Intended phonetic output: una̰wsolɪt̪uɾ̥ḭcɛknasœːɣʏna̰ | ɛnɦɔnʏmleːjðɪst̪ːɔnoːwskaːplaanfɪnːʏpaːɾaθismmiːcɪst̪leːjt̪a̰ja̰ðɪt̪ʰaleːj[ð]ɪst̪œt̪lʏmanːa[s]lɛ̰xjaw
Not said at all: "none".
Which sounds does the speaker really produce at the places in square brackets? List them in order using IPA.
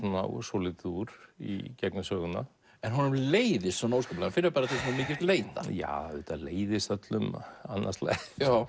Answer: ð, s

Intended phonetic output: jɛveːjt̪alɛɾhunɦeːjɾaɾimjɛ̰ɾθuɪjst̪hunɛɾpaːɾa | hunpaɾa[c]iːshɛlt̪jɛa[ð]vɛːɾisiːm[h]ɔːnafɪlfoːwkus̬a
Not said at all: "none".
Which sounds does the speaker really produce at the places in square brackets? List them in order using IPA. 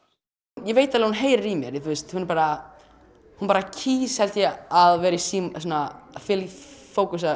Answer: cʰ, ð, s

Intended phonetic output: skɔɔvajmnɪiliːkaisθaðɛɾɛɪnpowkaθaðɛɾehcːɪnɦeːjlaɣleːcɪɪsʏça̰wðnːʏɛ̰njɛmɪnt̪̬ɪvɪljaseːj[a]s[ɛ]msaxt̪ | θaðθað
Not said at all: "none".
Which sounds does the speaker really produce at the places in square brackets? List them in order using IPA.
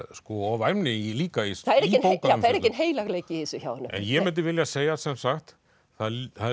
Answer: a, ɛ

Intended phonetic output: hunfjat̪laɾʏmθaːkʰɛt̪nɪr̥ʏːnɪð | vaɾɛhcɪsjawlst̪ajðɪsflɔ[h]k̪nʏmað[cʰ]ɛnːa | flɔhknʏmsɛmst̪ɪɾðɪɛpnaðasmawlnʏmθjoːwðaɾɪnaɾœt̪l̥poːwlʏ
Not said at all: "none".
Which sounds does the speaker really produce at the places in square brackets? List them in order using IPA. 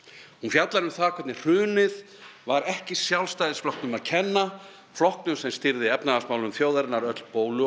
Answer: h, cʰ

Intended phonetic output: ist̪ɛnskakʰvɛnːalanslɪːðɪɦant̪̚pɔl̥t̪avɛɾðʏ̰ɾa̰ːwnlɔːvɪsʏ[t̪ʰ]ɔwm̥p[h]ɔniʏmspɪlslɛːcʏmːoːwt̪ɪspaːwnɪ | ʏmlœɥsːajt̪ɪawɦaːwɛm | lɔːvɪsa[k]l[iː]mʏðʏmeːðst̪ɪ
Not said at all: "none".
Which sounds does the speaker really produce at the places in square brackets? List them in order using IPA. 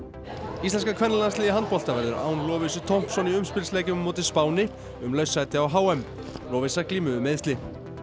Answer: t̪ʰ, s, k, iː

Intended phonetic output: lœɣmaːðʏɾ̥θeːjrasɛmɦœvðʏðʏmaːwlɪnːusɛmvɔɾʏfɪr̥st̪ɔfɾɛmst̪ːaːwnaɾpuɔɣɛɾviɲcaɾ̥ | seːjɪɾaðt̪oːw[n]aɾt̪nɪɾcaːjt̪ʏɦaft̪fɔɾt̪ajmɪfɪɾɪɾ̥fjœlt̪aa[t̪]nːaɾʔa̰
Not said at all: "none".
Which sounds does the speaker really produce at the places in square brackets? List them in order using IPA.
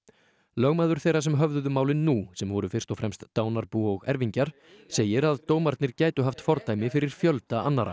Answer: m, none

